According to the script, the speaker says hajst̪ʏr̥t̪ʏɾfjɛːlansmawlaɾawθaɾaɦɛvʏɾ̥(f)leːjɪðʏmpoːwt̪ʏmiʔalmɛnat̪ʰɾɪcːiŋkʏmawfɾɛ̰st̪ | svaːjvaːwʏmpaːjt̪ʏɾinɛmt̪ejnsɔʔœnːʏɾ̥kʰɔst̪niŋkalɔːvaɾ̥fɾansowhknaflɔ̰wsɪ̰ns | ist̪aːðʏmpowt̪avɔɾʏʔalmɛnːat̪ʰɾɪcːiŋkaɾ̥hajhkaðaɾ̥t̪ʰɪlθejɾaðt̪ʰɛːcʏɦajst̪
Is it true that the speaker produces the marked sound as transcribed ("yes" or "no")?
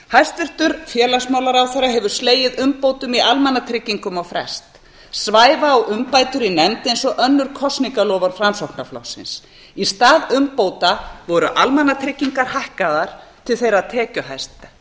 no